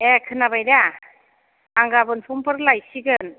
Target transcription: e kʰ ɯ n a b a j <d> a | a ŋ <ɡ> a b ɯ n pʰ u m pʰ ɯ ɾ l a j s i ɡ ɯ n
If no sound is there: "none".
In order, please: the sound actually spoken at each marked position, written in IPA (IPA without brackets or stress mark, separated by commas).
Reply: d, ɡ